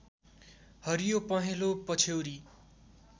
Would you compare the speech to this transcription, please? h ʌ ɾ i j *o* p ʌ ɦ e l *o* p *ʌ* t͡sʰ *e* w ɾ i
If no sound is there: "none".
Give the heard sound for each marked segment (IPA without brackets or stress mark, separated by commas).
o, o, ʌ, e